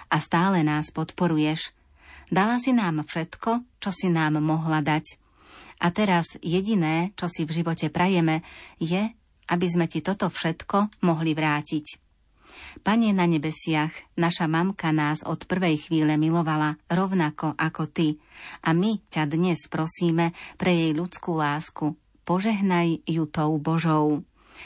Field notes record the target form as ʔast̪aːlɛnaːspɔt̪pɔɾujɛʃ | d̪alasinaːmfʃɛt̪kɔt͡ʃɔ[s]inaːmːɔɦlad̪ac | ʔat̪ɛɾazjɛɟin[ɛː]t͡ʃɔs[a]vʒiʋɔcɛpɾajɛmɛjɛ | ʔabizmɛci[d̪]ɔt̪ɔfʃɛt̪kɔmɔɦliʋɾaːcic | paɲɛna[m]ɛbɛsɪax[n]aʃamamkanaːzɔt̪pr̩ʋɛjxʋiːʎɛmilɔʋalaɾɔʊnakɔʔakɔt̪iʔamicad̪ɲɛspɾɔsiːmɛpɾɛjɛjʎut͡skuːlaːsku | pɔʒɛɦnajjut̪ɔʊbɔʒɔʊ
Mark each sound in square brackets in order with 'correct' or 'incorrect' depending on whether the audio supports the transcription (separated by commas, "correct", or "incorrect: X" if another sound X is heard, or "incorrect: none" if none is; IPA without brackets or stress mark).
correct, correct, incorrect: i, incorrect: t̪, incorrect: ɲ, correct